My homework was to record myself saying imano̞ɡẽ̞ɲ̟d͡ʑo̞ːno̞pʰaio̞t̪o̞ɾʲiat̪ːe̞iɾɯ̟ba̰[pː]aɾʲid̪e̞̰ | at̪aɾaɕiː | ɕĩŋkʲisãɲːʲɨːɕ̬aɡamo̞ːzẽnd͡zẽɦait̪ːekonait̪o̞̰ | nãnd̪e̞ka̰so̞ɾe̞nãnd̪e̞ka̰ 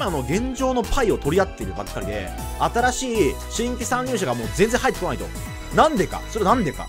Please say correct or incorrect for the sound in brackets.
incorrect